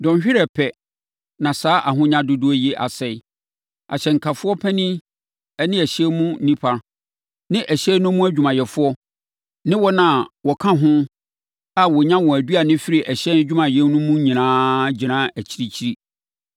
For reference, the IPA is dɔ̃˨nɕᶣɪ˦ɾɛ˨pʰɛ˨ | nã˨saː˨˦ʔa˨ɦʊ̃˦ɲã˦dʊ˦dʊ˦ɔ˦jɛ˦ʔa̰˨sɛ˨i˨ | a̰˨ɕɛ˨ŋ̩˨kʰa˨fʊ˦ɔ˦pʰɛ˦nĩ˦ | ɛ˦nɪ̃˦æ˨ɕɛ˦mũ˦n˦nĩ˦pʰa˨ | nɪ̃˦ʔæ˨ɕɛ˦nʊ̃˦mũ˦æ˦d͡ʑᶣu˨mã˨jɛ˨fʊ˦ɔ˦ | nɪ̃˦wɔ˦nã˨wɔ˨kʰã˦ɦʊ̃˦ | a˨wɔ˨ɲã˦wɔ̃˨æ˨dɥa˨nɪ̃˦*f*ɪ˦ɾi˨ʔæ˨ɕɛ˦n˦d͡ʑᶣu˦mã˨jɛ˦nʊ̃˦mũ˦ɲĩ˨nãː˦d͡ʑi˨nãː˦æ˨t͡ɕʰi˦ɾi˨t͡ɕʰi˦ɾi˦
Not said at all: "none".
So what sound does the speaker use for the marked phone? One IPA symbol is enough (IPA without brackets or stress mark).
f